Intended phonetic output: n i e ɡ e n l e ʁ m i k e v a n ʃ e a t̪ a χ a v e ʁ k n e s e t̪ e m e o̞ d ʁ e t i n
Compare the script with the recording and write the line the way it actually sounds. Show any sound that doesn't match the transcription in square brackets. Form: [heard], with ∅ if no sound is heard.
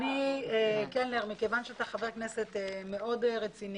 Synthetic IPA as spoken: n i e [k] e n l e ʁ m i k e v a n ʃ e a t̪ a χ a v e ʁ k n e s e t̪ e m e o̞ d ʁ e [t͡s] i n